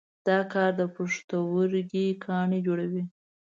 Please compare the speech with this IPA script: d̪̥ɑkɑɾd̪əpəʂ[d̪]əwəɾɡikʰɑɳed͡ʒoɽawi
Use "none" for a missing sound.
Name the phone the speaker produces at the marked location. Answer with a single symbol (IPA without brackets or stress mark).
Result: t̪